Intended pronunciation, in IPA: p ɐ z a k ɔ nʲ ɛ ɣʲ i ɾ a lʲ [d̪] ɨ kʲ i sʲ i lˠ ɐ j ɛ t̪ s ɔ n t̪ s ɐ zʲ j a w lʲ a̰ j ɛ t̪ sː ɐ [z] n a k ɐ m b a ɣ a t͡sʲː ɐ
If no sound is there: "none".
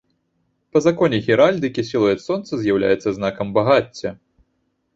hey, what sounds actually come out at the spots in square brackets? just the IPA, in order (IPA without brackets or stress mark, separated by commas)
d̪, z